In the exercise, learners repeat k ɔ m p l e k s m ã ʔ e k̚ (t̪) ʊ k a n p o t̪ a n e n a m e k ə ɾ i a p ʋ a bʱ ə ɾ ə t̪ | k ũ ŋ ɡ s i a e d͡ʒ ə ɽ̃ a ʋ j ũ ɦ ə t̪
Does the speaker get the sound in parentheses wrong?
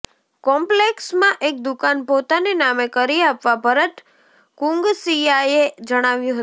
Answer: yes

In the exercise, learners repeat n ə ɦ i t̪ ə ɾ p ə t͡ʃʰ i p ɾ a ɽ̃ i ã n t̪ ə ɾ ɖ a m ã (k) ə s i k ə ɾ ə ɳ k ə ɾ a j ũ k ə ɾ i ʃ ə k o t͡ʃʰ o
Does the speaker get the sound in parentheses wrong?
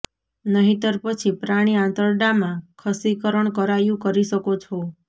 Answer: yes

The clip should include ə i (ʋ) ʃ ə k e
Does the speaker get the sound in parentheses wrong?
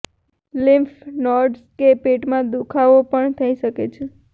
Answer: yes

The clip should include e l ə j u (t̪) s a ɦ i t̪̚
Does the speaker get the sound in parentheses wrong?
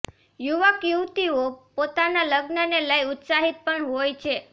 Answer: no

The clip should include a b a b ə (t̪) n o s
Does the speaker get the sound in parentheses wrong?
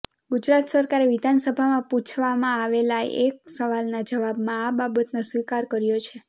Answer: no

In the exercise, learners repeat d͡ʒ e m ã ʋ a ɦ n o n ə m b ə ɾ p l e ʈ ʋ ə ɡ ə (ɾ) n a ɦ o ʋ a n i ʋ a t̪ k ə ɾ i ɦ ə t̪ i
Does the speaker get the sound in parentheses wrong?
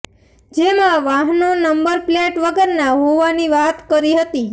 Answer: no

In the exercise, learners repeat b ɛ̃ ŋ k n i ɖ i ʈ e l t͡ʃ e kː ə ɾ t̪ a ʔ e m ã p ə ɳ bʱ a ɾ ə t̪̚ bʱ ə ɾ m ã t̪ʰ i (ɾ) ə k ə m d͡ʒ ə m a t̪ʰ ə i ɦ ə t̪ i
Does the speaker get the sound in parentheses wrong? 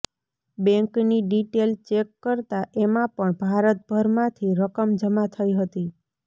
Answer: no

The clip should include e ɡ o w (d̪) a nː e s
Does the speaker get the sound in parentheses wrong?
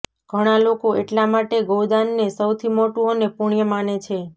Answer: no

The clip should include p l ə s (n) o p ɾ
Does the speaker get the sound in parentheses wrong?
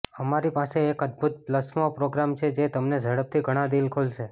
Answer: yes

